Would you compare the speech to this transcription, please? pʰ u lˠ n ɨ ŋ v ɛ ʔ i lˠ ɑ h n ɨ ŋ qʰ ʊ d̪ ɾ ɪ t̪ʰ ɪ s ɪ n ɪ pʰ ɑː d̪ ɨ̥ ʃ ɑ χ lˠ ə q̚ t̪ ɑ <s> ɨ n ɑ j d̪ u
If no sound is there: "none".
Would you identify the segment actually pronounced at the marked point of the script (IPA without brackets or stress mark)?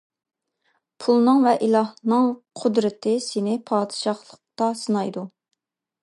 s